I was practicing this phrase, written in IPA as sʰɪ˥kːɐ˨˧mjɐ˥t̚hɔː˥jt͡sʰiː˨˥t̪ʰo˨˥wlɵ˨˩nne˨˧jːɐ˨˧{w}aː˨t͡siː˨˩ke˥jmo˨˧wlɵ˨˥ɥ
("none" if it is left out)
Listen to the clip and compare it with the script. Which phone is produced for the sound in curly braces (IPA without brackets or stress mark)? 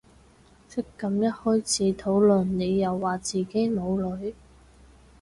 wː